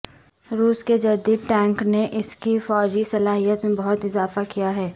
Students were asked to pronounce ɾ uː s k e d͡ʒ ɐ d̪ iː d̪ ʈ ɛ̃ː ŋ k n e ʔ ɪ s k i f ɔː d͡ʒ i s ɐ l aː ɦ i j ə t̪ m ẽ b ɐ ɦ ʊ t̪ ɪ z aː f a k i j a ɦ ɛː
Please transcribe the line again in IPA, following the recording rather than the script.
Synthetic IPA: ɾ uː s k e d͡ʒ ɐ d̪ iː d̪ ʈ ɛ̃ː ŋ k n e ʔ ɪ s k i f ɔː d͡ʒ i s ɐ l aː ɦ i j ə t̪ m ẽ b ɐ ɦ ʊ t̪ ɪ z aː f a k i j a ɦ ɛː